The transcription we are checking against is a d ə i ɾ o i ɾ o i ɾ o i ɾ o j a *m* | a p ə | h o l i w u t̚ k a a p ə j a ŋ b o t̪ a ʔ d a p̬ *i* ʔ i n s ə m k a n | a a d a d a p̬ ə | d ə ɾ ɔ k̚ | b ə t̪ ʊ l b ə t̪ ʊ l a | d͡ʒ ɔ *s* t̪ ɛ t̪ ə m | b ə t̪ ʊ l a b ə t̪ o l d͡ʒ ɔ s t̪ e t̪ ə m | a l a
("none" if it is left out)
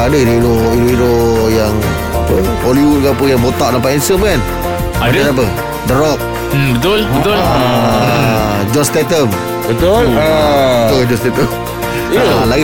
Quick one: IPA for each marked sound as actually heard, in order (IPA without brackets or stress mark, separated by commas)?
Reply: ŋ, a, s